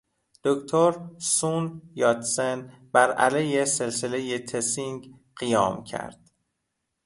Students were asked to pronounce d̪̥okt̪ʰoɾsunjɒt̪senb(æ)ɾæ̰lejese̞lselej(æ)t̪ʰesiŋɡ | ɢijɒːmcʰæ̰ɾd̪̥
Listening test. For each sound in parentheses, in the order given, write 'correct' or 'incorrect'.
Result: correct, incorrect: e

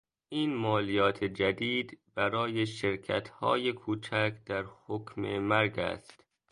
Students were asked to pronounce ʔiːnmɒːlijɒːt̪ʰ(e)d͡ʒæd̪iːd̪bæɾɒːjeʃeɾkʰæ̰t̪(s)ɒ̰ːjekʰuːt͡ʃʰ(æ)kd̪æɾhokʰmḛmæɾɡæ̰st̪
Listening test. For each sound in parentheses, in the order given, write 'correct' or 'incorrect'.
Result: correct, incorrect: h, correct

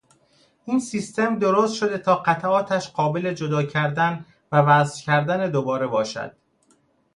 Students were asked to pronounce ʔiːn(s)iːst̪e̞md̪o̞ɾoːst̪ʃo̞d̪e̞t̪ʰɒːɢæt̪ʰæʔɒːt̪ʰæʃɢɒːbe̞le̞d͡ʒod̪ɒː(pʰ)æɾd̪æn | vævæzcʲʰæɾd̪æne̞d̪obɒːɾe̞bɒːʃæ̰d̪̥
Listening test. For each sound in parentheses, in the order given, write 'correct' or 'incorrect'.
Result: correct, incorrect: cʰ

